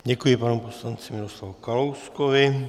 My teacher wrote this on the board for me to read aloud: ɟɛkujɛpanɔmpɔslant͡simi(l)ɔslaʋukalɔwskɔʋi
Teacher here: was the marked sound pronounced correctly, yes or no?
no